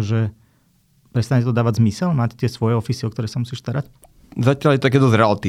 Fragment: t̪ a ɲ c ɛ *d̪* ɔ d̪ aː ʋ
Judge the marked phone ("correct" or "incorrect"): incorrect